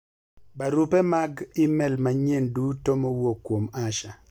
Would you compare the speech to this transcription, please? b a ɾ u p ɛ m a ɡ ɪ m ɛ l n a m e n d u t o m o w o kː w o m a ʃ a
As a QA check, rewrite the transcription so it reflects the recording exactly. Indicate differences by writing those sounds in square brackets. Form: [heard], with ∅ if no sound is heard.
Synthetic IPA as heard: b a ɾ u p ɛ m a ɡ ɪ m ɛ l [m] a [ɲ] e n d u t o m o w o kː w o m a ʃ a